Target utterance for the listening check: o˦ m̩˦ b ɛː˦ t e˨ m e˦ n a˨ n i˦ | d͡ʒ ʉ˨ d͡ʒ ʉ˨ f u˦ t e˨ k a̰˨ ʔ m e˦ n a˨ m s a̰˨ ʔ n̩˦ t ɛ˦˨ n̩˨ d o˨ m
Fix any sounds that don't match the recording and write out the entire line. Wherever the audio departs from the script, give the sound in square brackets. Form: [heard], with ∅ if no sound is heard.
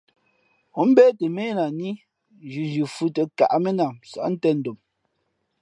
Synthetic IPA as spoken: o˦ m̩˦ b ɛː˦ t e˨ m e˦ n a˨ n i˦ | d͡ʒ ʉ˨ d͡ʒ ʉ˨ f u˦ t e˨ k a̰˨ ʔ m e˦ n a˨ m s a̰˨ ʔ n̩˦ t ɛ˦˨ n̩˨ d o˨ m